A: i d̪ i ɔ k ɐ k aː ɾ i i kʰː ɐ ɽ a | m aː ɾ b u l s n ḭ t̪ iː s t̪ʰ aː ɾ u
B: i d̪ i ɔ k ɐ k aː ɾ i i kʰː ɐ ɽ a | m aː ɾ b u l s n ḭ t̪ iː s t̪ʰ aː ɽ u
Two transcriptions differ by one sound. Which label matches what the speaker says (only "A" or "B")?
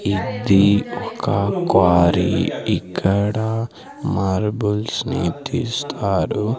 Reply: A